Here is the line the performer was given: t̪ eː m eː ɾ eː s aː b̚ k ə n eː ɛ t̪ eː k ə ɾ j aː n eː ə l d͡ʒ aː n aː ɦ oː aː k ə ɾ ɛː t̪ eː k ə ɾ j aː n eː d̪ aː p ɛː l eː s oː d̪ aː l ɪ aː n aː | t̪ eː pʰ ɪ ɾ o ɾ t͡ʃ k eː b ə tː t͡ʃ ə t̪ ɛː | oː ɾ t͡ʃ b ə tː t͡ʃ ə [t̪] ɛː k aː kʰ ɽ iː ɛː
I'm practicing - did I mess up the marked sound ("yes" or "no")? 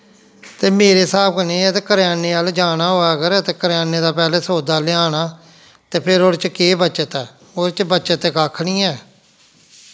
no